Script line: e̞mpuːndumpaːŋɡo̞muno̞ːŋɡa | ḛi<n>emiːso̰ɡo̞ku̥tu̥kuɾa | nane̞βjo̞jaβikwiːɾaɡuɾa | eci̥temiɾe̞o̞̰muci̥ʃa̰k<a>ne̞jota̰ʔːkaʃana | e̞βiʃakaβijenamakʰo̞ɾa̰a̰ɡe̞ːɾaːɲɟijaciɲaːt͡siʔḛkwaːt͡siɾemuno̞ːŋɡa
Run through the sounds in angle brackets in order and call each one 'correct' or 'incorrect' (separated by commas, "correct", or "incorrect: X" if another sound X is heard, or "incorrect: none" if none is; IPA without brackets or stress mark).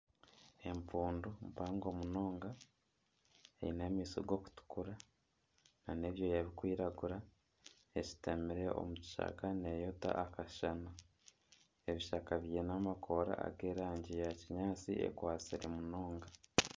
correct, correct